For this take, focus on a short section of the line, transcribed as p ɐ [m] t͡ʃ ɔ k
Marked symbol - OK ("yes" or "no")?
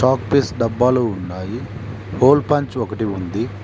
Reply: no